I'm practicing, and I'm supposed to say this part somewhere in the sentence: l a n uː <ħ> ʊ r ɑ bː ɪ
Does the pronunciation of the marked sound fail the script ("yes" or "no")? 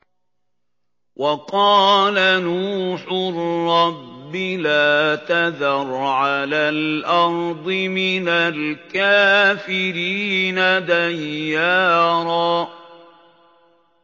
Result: no